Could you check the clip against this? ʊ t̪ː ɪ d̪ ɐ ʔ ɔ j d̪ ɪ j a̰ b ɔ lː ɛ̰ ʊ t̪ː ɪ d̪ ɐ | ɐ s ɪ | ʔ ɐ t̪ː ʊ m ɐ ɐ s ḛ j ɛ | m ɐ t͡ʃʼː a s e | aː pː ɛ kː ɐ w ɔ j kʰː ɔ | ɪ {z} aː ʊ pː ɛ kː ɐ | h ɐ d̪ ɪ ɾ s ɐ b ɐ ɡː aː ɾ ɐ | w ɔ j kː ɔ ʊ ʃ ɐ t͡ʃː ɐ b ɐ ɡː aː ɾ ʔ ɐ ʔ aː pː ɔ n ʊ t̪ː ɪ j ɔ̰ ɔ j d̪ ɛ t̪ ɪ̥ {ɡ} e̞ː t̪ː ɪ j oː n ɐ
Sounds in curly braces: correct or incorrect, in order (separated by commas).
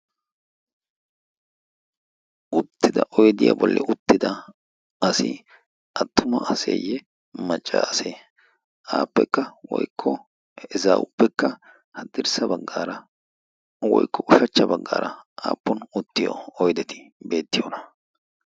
correct, incorrect